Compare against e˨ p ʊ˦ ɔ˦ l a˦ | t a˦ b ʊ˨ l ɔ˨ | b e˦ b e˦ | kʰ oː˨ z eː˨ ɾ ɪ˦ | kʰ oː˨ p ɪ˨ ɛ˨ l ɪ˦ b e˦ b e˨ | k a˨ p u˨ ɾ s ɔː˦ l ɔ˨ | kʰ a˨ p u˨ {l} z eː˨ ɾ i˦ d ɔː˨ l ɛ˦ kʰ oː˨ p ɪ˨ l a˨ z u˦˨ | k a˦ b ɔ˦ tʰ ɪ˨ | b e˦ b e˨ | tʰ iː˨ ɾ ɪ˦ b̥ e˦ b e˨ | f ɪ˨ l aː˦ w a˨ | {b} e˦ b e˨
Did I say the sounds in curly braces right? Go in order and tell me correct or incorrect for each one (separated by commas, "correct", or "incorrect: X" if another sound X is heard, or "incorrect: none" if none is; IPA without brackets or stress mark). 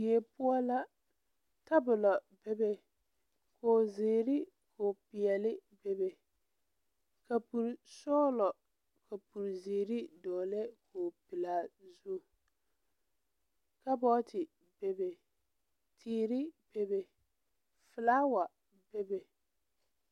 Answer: incorrect: ɾ, correct